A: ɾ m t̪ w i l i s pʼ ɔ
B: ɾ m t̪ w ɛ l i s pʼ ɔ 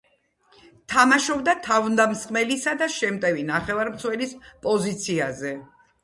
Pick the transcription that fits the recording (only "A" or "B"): B